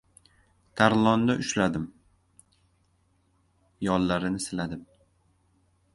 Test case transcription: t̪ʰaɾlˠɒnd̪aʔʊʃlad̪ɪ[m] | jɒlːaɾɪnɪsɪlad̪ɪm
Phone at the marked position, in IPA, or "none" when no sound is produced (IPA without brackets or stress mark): m